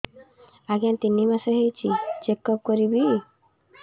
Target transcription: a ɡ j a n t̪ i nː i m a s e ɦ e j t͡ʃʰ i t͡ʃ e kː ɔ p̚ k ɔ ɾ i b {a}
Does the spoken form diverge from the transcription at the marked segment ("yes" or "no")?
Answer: yes